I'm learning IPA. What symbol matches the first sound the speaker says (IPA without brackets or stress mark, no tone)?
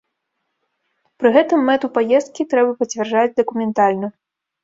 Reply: p